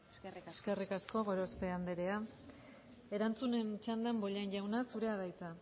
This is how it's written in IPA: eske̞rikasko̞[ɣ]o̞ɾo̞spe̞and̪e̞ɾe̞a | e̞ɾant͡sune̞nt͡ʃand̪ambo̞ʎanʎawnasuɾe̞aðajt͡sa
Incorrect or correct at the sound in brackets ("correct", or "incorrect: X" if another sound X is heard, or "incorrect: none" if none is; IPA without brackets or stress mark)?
correct